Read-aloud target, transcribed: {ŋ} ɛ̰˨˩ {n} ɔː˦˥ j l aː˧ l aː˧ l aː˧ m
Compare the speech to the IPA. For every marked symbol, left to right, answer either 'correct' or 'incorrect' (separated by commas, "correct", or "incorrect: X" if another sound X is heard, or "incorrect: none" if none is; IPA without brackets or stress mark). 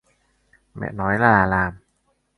incorrect: m, correct